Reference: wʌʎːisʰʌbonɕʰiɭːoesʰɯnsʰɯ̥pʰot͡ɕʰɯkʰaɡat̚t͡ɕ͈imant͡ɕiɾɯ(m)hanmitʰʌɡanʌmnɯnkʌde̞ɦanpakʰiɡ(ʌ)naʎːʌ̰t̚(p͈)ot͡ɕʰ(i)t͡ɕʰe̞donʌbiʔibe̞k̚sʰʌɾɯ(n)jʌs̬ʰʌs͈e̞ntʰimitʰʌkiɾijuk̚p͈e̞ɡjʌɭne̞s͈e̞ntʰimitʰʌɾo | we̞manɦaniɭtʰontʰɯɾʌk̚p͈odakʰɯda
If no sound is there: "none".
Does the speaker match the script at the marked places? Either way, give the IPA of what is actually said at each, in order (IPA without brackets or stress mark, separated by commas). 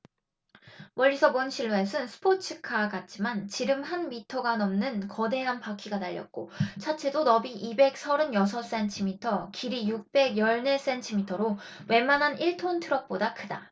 m, a, k͈, a, n